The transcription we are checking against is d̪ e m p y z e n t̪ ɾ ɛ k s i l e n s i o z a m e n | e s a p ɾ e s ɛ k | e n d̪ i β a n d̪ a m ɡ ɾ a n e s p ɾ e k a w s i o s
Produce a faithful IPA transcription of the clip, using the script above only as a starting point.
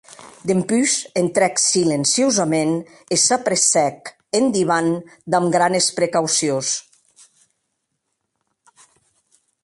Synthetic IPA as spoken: d̪ e m p y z e n t̪ ɾ ɛ k s i l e n s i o z a m e n | e s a p ɾ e s ɛ k | e n d̪ i β a n d̪ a m ɡ ɾ a n e s p ɾ e k a w s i o s